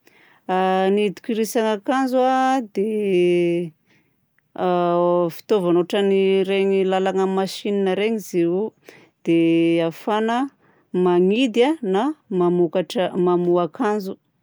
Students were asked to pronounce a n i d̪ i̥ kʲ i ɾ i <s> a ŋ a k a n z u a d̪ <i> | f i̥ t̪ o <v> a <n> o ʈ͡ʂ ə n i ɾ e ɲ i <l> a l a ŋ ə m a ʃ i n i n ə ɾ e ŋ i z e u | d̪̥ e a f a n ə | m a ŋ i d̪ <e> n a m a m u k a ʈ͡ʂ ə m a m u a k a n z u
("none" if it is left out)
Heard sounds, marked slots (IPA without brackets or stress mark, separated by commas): s, e, v, n, l, a